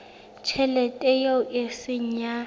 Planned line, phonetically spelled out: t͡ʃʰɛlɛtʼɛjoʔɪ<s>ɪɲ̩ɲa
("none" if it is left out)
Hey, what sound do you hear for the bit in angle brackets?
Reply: s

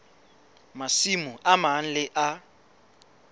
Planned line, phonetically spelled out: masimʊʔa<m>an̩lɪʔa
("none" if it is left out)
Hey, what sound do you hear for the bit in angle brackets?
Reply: m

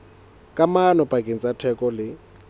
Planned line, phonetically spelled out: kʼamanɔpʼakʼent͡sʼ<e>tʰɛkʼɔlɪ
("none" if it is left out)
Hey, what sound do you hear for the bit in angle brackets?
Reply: a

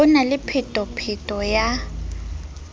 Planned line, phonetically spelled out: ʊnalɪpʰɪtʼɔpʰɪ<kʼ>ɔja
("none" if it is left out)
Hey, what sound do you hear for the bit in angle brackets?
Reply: tʼ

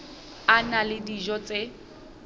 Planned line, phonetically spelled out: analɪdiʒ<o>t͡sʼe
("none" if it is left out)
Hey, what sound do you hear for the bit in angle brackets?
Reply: ɔ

